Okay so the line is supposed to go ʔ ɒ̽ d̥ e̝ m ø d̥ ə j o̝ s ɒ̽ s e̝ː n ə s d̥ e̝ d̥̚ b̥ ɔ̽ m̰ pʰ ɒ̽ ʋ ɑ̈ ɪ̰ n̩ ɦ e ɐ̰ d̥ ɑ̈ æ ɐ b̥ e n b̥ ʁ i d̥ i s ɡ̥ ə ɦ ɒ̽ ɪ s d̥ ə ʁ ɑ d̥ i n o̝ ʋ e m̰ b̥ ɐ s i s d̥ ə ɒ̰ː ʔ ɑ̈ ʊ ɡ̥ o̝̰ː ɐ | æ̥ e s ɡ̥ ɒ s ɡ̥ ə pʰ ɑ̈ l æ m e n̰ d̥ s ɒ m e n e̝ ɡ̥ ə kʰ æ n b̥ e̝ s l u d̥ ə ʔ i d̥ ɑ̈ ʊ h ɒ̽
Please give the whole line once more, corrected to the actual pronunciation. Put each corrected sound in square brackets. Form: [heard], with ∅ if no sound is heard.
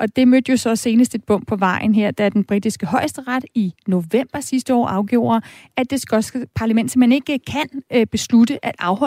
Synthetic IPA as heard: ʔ ɒ̽ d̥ e̝ m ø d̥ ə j o̝ s ɒ̽ s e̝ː n ə s d̥ e̝ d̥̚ b̥ ɔ̽ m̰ pʰ ɒ̽ ʋ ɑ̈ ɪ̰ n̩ ɦ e ɐ̰ d̥ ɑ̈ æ ɐ [d̥] e n b̥ ʁ i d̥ i s ɡ̥ ə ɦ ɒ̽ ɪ s d̥ ə ʁ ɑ d̥ i n o̝ ʋ e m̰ b̥ ɐ s i s d̥ ə ɒ̰ː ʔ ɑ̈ ʊ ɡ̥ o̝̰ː ɐ | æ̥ e s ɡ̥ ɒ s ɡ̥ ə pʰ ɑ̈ l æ m e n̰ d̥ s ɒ m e n e̝ ɡ̥ ə kʰ æ n b̥ e̝ s l u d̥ ə ʔ [æ] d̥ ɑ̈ ʊ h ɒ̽